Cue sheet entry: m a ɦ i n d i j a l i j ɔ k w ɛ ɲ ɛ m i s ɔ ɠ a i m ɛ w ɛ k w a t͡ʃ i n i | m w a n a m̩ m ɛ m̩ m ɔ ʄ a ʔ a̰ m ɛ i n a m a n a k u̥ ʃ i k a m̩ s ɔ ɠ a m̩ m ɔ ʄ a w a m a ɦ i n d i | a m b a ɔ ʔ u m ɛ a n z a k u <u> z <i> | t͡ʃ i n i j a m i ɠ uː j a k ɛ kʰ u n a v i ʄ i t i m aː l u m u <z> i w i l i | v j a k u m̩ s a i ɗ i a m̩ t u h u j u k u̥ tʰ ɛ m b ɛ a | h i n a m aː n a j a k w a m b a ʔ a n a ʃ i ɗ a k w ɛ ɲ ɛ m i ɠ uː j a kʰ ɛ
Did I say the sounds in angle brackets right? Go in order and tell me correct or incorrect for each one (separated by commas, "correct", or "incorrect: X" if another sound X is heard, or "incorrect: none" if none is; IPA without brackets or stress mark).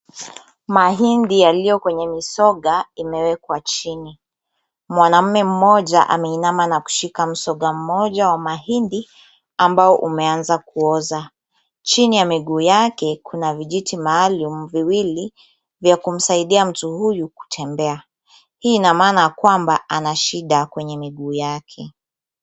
incorrect: ɔ, incorrect: a, incorrect: v